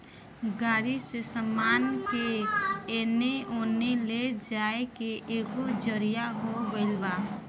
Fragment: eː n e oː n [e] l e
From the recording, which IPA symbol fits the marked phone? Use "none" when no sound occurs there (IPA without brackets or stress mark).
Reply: e